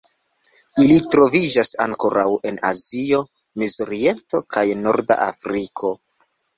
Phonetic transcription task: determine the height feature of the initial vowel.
high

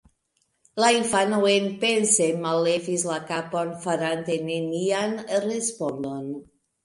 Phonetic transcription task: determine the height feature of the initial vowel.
low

